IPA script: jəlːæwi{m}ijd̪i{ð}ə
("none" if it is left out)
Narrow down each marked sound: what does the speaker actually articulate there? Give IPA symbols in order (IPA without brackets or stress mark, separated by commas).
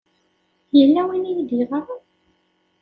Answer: n, ʁ